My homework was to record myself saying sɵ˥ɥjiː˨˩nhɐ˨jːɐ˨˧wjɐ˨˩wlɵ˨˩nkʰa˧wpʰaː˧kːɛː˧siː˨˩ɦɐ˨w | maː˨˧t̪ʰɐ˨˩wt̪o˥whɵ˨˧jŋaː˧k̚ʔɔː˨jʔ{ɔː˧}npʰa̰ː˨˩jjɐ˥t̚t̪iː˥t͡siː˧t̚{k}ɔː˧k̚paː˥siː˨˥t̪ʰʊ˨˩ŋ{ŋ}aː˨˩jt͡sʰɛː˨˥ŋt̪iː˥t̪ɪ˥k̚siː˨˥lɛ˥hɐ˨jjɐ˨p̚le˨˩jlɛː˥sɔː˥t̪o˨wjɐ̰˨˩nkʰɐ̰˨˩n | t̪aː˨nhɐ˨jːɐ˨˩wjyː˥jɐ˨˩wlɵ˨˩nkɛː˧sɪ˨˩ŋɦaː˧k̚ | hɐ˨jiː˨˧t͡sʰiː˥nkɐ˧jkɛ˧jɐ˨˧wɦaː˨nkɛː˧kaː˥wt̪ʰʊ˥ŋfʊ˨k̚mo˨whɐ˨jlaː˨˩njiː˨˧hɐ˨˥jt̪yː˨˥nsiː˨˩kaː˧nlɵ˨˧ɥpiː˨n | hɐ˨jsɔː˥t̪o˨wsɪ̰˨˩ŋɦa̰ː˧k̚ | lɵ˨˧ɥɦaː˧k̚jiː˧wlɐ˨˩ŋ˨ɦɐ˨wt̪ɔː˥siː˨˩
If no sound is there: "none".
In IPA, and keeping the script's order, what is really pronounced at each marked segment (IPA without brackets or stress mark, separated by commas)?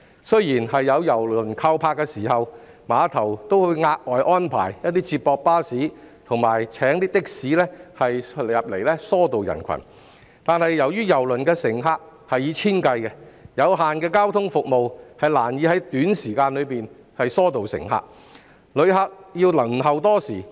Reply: ɔː˥, p, m